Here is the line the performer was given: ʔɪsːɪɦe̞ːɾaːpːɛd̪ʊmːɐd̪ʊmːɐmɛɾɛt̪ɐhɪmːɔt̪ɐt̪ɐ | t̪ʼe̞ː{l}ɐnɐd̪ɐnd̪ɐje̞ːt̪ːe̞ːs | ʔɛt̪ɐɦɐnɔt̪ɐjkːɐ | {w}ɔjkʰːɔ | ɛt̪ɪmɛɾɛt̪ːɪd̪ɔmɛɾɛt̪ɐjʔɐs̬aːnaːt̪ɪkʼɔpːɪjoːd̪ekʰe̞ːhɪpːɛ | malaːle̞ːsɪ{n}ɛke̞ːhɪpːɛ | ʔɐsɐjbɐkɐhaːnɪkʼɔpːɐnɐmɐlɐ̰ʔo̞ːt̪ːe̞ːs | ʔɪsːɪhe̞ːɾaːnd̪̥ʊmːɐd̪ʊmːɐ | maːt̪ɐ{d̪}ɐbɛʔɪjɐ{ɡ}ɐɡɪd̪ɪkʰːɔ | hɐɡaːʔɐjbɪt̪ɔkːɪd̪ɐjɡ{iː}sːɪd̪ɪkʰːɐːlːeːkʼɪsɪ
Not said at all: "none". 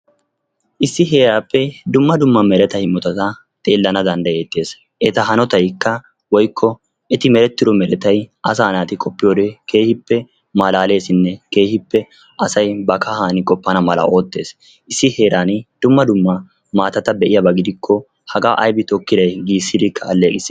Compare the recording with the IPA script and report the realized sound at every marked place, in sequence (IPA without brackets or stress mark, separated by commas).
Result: lː, w, nː, t̪, b, iː